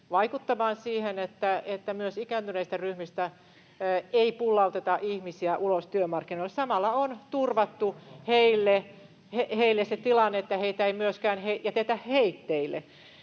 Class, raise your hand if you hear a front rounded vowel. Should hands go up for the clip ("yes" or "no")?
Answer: yes